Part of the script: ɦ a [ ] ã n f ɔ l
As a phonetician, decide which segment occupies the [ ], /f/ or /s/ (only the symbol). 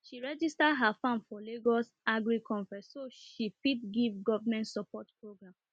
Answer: f